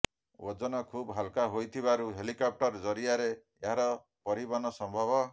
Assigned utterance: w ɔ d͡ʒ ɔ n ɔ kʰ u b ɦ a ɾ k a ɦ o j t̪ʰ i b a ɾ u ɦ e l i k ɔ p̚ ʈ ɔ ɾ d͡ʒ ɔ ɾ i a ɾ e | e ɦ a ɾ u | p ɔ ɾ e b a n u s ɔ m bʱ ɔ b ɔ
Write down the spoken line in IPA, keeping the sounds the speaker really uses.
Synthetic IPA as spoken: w ɔ d͡ʒ ɔ n ɔ kʰ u b ɦ a l k a ɦ o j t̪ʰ i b a ɾ u ɦ e l i k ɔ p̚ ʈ ɔ ɾ d͡ʒ ɔ ɾ i a ɾ e | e ɦ a ɾ ɔ | p ɔ ɾ i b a n ɔ s ɔ m bʱ ɔ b ɔ